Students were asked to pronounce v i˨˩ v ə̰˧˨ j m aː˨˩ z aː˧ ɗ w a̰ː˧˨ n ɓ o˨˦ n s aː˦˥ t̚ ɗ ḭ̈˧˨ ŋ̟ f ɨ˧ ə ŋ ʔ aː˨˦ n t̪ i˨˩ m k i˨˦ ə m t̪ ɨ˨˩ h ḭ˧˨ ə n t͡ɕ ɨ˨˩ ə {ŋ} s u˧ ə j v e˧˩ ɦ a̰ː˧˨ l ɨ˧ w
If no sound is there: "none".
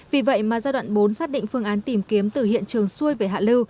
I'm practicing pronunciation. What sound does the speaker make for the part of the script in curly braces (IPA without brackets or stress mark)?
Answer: ŋ